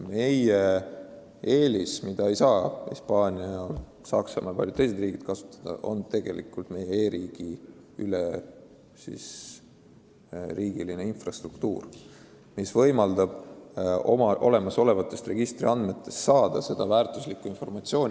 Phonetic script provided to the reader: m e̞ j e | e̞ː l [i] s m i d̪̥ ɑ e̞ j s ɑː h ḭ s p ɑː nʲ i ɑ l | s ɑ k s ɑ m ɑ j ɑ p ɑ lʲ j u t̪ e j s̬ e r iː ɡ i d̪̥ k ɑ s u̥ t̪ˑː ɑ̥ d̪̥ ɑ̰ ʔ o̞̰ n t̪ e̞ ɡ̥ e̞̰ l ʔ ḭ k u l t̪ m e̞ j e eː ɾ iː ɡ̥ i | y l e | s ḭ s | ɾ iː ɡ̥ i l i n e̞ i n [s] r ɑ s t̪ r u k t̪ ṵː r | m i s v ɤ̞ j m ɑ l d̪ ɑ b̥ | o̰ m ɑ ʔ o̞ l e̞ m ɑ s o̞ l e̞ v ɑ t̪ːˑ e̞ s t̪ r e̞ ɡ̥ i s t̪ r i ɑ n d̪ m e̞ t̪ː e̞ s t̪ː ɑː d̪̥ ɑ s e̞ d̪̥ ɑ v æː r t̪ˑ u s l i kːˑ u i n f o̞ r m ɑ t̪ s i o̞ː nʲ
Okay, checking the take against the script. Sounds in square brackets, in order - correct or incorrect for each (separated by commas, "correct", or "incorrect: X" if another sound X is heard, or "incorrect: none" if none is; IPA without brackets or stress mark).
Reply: correct, incorrect: f